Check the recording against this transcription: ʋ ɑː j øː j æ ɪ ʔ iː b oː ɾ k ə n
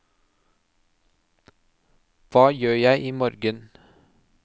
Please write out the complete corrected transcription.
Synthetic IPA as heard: ʋ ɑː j øː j æ ɪ ʔ iː m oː ɾ ɡ ə n